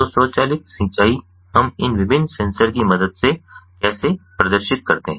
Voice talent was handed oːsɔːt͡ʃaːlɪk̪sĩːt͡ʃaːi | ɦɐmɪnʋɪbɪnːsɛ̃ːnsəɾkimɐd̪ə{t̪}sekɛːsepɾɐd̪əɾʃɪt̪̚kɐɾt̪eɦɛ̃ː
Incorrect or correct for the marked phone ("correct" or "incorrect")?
incorrect